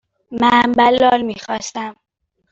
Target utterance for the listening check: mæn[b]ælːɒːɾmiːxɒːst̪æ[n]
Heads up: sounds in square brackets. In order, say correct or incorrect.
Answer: correct, incorrect: m

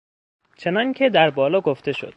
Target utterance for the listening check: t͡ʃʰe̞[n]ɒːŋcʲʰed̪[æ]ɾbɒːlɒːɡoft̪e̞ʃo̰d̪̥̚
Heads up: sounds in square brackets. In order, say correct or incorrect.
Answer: correct, correct

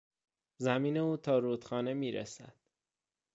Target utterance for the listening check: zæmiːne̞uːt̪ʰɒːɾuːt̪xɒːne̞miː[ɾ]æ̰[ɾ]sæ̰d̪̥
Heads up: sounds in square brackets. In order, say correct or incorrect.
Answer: correct, incorrect: none

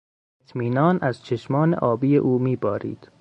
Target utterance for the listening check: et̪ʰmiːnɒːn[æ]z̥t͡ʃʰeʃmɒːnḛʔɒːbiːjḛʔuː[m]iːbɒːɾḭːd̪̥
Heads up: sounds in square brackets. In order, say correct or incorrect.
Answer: correct, correct

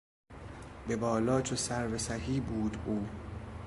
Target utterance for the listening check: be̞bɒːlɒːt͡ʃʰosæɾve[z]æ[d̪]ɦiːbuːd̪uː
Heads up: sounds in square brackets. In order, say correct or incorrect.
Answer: incorrect: s, incorrect: none

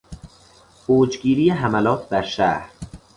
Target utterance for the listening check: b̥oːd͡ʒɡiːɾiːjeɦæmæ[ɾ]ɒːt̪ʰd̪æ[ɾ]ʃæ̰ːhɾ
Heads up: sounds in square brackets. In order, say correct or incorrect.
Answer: incorrect: l, correct

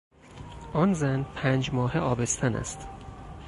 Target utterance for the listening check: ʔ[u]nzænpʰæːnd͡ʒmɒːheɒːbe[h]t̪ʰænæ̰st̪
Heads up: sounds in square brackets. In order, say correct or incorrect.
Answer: incorrect: ɒ, incorrect: s

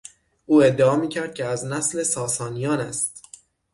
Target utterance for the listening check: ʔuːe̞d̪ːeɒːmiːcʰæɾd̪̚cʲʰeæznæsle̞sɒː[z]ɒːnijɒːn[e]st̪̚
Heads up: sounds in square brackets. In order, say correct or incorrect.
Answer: incorrect: s, incorrect: æ

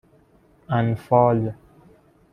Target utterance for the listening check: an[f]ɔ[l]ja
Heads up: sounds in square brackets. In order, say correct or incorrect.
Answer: correct, correct

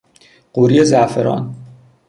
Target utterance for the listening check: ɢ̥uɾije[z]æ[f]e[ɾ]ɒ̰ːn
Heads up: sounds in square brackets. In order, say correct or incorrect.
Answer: correct, correct, correct

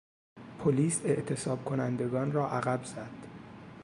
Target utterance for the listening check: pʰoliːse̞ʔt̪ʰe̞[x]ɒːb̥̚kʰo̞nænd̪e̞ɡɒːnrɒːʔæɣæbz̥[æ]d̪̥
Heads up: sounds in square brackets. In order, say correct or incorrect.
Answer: incorrect: s, correct

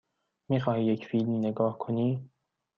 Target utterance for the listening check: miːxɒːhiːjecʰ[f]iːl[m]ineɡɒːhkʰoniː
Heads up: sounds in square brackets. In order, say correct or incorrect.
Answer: correct, correct

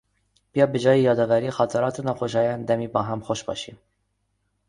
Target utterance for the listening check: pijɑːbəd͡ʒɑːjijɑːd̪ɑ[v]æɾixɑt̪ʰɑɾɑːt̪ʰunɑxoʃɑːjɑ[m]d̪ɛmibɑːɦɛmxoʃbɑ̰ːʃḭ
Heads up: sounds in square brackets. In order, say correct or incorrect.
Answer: correct, incorrect: n

